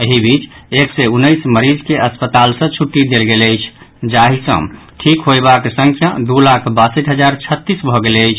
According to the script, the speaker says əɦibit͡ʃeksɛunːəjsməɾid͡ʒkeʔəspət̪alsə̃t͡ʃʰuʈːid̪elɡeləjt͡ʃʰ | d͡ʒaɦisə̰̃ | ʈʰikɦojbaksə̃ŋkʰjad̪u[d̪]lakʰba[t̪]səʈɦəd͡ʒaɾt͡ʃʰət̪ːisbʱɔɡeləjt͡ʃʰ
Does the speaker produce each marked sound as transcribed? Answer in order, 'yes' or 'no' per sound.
no, no

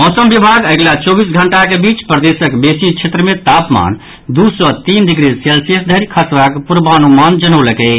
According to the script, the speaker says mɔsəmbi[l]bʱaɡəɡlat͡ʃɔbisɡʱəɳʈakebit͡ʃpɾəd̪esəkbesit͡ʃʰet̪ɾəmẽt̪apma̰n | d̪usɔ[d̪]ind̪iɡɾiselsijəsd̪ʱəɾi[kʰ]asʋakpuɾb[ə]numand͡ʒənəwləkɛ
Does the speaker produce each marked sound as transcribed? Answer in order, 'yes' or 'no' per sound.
no, no, yes, no

